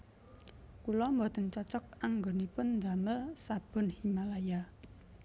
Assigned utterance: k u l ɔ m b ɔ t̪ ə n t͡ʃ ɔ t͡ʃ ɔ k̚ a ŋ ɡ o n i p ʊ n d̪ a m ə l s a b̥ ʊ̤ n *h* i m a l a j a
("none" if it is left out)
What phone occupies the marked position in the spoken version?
h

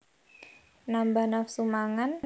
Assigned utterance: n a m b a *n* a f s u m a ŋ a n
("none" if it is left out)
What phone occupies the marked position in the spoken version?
n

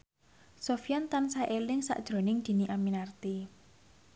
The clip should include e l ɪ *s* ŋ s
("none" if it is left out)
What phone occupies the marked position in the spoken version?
none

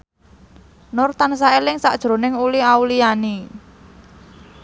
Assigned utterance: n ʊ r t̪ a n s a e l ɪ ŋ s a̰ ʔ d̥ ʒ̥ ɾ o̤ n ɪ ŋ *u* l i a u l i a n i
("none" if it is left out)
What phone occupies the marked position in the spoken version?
u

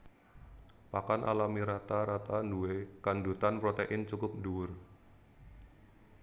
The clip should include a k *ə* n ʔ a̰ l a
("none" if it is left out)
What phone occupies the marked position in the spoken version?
a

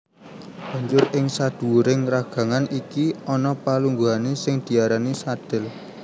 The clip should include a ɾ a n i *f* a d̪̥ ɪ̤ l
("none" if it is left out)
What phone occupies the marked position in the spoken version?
s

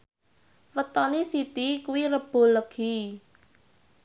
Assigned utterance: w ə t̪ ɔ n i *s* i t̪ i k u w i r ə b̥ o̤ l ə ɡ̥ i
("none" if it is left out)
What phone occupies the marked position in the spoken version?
s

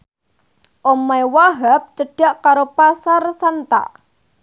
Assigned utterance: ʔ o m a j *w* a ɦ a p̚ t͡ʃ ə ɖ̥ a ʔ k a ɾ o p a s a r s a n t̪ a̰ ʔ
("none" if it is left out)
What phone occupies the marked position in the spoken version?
w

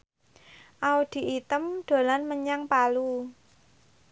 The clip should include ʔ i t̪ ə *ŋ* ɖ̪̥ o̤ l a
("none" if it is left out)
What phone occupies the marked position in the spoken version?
m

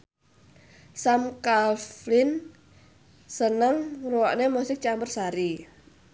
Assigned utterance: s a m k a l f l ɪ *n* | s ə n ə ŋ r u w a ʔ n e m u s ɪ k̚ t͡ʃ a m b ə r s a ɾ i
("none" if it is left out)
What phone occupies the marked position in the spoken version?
n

